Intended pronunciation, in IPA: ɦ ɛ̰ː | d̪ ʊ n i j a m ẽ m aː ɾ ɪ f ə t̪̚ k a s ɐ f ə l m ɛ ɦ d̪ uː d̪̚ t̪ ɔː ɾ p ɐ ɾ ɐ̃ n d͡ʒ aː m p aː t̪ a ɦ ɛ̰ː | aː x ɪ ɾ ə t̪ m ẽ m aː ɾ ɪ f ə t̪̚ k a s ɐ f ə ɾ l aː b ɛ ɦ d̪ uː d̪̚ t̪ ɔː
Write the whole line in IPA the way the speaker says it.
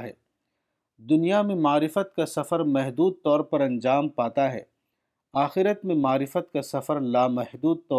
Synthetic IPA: ɦ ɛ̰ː | d̪ ʊ n i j a m ẽ m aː ɾ ɪ f ə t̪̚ k a s ɐ f ə ɾ m ɛ ɦ d̪ uː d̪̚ t̪ ɔː ɾ p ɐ ɾ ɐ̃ n d͡ʒ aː m p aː t̪ a ɦ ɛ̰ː | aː x ɪ ɾ ə t̪ m ẽ m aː ɾ ɪ f ə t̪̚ k a s ɐ f ə ɾ l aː m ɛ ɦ d̪ uː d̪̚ t̪ ɔː